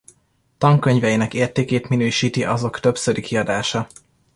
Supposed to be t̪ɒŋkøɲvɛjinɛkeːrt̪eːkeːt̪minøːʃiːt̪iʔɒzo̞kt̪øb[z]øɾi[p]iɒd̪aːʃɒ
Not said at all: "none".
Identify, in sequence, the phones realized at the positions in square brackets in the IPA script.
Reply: s, k

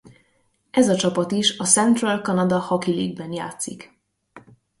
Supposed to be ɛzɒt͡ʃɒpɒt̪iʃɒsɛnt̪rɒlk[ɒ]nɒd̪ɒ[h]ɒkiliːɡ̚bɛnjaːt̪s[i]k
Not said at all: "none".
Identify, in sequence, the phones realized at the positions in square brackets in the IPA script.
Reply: ɒ, h, i

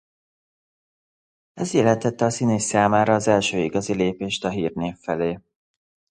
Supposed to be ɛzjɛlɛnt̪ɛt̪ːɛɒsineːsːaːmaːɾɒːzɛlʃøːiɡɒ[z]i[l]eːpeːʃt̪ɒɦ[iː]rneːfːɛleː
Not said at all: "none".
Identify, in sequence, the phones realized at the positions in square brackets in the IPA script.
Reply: z, l, iː

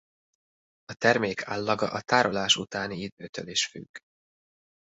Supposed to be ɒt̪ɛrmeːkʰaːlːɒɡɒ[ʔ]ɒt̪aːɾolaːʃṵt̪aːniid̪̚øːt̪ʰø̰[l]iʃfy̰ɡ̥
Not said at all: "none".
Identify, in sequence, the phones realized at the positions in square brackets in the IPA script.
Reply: ʔ, l

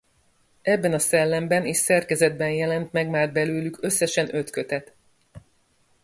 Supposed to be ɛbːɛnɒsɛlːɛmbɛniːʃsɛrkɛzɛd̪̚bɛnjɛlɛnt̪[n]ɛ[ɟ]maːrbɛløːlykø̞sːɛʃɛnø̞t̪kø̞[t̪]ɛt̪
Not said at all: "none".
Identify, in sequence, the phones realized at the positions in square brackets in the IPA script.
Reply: m, ɡ, t̪

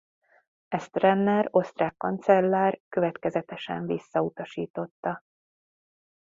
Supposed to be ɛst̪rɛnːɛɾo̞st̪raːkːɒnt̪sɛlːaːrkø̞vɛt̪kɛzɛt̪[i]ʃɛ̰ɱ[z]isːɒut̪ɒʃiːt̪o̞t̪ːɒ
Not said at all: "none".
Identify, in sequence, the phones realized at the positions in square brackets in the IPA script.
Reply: ɛ, v

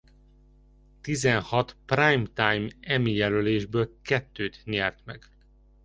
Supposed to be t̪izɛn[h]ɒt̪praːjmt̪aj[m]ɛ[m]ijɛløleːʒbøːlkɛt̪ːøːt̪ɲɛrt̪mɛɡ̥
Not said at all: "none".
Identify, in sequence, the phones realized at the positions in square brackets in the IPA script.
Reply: h, m, m

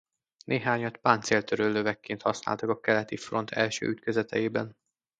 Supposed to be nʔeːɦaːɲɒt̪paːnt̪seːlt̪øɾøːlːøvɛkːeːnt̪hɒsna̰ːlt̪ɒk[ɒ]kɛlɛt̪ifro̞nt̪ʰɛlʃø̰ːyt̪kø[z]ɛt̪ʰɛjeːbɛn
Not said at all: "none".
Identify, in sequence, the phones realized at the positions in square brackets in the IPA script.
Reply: ɒ, z

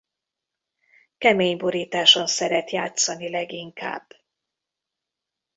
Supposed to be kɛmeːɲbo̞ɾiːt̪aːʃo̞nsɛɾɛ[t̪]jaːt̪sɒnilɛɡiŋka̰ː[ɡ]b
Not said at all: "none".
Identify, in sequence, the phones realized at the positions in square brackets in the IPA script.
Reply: t̪, none

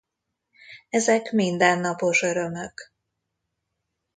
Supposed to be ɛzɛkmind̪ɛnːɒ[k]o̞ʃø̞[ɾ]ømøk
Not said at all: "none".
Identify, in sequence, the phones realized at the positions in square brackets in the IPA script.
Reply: p, ɾ

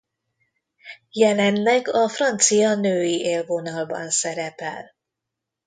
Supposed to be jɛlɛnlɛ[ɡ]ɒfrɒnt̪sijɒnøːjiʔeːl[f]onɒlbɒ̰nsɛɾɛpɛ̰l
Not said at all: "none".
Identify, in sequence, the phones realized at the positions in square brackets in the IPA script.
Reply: ɡ, v

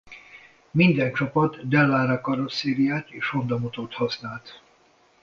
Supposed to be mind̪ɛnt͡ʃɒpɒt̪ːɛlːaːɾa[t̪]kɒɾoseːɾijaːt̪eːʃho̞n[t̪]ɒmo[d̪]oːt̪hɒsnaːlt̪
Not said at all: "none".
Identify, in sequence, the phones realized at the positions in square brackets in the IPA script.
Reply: none, d̪, t̪

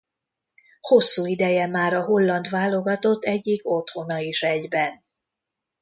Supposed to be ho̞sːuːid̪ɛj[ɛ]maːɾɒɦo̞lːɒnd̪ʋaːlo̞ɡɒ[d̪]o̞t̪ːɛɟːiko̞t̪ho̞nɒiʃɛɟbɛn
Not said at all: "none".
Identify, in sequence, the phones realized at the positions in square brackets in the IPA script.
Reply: ɛ, t̪

